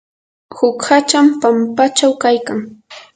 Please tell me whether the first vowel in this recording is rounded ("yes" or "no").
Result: yes